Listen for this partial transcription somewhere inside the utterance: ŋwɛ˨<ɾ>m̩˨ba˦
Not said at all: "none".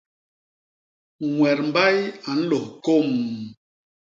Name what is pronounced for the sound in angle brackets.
ɾ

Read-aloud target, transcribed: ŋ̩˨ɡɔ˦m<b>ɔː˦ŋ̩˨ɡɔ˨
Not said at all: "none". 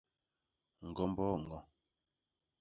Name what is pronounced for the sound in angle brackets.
b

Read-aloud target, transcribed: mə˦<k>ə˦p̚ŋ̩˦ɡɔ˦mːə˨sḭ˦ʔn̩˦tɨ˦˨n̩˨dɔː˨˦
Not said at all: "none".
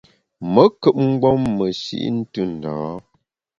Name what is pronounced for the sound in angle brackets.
k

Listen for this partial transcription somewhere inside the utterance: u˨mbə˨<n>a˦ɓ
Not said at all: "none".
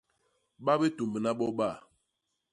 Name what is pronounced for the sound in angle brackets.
n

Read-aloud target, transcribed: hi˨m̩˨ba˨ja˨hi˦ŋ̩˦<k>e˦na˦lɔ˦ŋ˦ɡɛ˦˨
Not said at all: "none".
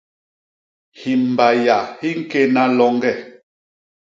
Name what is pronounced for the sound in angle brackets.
k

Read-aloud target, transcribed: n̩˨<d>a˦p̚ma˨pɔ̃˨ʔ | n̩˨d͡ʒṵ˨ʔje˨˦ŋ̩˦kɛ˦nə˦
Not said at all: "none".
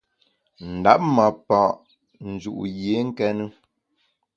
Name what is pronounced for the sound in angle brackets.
d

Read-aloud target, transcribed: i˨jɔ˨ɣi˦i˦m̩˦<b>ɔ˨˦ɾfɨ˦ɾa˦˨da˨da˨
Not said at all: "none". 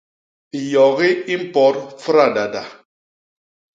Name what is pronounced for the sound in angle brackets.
p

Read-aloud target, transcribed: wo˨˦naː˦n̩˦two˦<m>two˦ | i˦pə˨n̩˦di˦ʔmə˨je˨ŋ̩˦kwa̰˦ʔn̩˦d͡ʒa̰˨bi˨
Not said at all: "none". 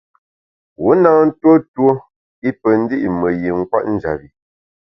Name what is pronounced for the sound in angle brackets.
none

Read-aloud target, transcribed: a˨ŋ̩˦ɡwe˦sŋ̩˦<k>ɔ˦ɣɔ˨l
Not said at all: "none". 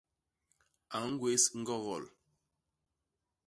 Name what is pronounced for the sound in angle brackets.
ɡ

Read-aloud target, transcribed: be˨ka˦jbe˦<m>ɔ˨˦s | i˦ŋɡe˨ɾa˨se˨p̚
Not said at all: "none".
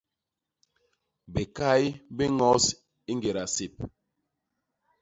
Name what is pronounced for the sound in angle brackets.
ŋ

